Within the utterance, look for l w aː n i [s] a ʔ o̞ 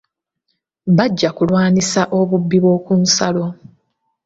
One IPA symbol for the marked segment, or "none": s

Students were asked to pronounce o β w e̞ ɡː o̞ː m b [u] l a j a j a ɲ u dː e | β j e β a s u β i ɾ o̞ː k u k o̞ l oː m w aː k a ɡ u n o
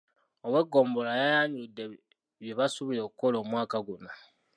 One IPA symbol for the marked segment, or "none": o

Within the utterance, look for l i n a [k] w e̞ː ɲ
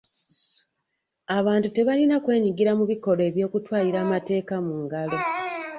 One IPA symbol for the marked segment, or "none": k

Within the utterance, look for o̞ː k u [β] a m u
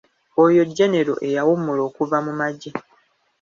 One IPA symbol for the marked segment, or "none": v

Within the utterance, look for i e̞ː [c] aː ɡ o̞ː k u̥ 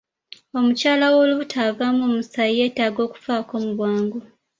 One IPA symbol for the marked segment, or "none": t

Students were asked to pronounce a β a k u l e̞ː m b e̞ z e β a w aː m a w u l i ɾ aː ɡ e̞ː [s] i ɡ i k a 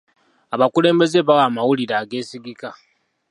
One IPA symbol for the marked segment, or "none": s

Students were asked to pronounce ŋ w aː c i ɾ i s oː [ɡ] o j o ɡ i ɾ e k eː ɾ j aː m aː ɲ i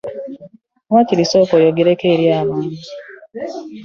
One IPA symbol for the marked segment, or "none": k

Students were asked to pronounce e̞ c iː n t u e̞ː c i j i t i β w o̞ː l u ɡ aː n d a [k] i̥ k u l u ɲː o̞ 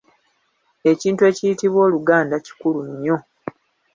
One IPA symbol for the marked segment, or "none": c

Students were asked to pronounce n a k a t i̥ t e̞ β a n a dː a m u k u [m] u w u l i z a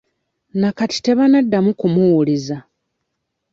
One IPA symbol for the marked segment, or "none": m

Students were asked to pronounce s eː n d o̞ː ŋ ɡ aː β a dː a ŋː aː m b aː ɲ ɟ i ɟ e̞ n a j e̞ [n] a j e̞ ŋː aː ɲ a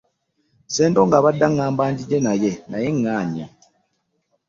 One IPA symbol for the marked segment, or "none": n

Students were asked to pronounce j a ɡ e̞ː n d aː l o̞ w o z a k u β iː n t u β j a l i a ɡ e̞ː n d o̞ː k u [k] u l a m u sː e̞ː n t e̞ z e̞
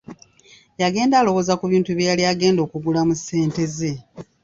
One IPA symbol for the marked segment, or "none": ɡ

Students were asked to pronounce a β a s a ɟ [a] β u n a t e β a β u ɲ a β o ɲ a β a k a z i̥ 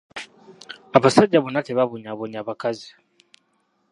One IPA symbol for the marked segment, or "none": a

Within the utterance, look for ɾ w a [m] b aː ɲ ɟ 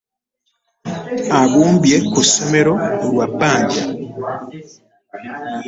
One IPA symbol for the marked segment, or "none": none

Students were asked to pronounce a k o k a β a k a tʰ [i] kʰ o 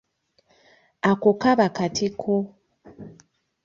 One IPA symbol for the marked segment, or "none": i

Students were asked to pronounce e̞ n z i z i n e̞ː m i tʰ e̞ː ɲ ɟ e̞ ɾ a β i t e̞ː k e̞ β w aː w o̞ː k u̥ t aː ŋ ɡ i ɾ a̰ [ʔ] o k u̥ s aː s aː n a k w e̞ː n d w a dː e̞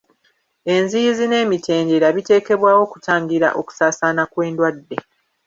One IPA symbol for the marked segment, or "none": ʔ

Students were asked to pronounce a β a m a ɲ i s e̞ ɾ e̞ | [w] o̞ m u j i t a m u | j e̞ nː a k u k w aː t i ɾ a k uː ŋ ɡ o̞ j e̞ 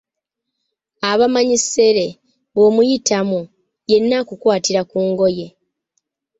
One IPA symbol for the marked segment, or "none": β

